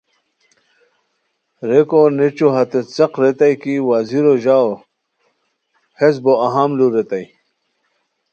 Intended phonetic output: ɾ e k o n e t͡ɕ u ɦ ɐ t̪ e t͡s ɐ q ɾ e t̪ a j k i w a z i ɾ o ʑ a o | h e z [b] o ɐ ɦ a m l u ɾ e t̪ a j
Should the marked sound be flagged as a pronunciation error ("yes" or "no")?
no